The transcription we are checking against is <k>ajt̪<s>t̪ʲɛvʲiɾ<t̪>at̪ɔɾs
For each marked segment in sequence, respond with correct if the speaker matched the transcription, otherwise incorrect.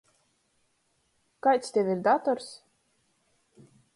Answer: correct, correct, incorrect

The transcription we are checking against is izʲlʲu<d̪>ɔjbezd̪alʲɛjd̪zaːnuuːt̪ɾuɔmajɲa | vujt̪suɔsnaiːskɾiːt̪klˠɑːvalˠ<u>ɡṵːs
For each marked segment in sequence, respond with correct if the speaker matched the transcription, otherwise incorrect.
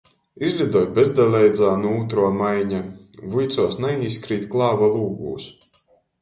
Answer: correct, incorrect

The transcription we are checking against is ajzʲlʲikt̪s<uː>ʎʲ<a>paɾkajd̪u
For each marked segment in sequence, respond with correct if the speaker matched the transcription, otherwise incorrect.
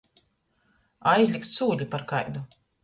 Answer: correct, incorrect

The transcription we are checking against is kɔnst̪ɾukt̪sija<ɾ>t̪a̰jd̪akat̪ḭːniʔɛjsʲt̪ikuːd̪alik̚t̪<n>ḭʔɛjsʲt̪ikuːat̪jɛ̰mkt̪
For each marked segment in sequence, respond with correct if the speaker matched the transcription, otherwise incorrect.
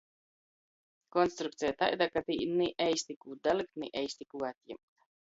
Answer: incorrect, correct

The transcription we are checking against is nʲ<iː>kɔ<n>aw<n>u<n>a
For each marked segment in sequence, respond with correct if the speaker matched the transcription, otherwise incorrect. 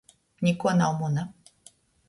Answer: incorrect, correct, incorrect, correct

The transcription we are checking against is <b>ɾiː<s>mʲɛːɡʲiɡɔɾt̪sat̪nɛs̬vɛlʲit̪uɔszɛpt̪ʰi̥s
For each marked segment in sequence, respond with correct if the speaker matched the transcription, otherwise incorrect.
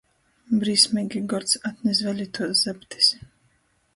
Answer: correct, correct

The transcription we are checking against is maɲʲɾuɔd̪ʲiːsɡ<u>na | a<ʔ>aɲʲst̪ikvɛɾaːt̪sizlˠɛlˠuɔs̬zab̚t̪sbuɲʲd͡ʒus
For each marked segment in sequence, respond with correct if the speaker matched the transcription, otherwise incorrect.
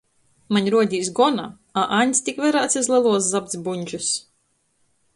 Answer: incorrect, correct

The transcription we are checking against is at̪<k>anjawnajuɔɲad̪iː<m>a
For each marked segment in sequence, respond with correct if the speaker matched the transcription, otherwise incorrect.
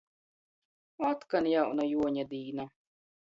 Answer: correct, incorrect

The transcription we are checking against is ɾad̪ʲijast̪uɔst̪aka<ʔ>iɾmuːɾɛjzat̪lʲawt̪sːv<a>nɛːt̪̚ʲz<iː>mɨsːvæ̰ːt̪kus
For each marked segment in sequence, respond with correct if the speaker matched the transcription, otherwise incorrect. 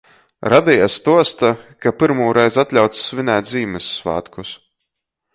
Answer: incorrect, incorrect, correct

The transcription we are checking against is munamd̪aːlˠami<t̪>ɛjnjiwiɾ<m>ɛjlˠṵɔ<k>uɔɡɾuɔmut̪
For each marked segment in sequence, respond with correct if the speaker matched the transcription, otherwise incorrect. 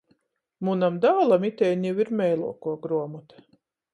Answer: correct, correct, correct

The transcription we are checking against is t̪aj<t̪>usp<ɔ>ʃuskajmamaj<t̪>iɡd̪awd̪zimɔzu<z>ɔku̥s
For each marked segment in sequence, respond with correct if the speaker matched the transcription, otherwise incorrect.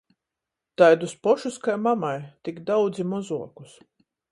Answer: incorrect, correct, correct, incorrect

